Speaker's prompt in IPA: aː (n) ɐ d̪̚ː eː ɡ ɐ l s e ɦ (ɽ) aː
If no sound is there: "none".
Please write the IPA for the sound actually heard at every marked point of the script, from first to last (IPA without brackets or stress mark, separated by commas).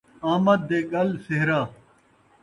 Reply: m, ɾ